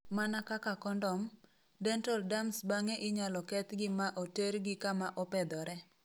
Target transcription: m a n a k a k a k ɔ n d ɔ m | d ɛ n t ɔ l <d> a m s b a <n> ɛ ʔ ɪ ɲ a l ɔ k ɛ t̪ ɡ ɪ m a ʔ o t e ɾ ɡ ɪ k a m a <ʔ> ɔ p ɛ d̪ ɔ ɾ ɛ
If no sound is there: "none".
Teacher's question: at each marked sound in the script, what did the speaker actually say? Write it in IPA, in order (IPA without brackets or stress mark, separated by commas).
d, ŋ, ʔ